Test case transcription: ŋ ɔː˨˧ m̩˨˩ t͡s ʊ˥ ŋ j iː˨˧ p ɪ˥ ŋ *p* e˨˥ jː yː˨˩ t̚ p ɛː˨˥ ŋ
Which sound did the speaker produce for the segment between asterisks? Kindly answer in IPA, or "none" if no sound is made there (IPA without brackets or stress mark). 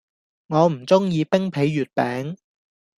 pʰ